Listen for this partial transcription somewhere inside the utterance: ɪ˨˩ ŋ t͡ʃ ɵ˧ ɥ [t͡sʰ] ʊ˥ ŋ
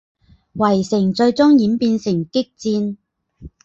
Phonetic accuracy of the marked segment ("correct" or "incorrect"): incorrect